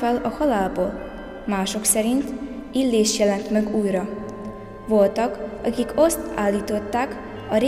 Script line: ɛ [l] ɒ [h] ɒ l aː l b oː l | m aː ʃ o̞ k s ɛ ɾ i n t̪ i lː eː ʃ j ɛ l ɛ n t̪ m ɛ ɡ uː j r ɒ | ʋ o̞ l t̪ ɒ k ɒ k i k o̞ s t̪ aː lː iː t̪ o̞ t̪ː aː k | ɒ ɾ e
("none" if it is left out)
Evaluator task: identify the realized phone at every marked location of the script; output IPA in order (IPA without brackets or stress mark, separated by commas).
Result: l, h